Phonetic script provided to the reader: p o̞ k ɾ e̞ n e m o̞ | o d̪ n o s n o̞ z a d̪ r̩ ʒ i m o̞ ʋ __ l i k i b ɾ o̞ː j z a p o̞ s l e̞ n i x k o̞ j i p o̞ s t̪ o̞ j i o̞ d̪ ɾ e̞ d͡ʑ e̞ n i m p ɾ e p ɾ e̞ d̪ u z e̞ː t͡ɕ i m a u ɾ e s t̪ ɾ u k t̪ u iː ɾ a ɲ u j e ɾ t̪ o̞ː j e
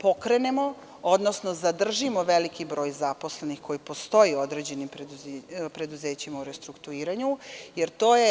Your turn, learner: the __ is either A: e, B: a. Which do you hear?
A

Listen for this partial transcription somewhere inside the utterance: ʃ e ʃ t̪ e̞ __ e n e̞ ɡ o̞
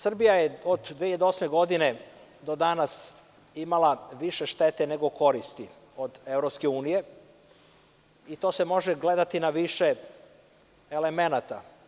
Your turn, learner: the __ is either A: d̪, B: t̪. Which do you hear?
B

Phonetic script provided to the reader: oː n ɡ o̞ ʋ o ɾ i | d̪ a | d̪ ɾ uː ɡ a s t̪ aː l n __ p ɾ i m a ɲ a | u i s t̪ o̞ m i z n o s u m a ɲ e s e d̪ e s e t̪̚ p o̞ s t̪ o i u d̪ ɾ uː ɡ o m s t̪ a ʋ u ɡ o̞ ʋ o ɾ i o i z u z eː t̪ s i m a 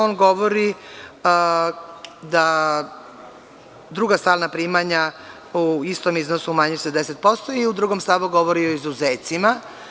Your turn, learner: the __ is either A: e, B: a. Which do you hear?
B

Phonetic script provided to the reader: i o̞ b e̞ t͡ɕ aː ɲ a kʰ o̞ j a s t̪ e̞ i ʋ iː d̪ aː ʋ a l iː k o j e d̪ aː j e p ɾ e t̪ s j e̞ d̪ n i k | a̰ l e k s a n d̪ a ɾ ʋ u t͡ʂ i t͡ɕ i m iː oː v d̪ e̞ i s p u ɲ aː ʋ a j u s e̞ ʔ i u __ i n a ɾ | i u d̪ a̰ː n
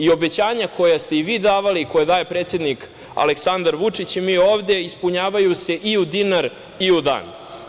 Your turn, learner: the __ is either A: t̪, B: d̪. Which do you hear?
B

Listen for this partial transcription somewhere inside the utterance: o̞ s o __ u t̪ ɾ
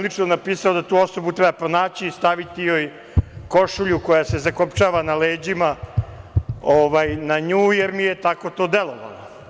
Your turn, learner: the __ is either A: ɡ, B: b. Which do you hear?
B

